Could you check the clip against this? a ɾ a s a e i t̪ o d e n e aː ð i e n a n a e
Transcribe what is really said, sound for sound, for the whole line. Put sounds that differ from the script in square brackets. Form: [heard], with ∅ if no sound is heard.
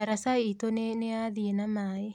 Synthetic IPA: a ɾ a s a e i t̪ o [n] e n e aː ð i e n a [m] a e